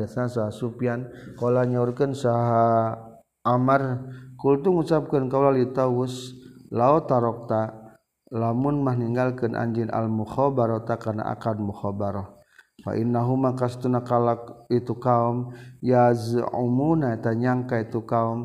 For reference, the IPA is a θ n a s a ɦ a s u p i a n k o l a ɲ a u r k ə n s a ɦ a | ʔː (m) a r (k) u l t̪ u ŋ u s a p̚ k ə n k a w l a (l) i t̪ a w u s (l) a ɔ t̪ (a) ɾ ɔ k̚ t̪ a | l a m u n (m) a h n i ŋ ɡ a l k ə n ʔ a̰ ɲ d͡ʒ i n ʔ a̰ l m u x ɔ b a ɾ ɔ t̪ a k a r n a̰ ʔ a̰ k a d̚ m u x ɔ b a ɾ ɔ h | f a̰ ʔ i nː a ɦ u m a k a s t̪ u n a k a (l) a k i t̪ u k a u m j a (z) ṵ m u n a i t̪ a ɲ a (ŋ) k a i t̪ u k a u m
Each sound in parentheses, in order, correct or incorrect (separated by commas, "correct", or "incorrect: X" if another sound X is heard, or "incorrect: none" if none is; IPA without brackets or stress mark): correct, correct, correct, correct, correct, correct, correct, correct, correct